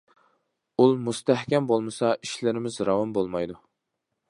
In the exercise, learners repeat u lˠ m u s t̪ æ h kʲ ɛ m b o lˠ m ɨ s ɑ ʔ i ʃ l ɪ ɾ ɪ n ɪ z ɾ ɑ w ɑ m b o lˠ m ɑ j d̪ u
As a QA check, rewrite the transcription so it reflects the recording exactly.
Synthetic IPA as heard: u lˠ m u s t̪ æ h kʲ ɛ m b o lˠ m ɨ s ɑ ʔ i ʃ l ɪ ɾ ɪ m ɪ z ɾ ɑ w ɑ m b o lˠ m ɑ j d̪ u